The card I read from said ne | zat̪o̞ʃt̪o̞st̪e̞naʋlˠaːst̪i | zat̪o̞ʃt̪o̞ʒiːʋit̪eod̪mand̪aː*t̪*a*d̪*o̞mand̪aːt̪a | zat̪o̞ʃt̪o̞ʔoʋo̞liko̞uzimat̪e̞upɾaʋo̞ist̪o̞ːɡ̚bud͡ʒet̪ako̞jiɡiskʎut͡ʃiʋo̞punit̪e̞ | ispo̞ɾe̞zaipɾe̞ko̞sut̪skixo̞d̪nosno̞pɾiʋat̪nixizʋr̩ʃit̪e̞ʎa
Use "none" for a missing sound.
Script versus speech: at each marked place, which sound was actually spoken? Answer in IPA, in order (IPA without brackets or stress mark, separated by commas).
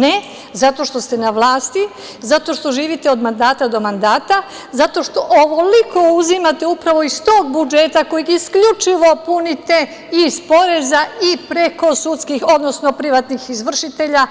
t̪, d̪